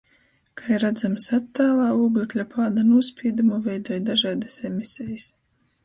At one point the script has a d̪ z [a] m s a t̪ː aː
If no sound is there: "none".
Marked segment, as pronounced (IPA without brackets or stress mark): a